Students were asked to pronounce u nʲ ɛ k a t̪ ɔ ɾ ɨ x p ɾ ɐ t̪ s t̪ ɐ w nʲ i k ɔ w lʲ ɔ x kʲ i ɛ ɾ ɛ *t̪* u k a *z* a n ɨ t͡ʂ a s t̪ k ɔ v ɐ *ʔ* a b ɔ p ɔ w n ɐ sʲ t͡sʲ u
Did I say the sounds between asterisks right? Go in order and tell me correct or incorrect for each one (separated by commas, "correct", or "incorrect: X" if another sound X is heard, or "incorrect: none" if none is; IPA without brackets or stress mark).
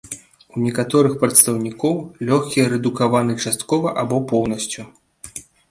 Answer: incorrect: d̪, incorrect: v, correct